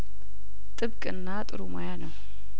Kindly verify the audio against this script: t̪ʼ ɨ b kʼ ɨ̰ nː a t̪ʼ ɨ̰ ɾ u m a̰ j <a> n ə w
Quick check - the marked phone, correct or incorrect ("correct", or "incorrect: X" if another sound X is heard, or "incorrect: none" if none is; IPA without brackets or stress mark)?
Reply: correct